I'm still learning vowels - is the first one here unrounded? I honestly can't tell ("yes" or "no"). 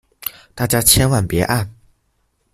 yes